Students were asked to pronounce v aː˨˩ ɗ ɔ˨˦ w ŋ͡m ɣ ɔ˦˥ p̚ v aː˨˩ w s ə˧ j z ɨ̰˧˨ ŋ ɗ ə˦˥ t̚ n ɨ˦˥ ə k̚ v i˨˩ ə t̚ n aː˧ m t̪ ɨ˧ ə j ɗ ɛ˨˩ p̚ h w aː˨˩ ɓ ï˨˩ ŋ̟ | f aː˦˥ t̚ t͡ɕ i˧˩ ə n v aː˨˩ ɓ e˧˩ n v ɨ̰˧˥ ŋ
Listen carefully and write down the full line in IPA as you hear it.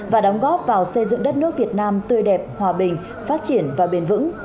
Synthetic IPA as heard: v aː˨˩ ɗ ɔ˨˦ w ŋ͡m ɣ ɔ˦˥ p̚ v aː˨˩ w s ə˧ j z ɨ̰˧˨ ŋ ɗ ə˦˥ t̚ n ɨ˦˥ ə k̚ v i˨˩ ə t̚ n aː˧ m t̪ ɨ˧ ə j ɗ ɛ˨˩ p̚ h w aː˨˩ ɓ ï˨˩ ŋ̟ | f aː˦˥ t̚ t͡ɕ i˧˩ ə n v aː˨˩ ɓ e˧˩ n v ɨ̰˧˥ ŋ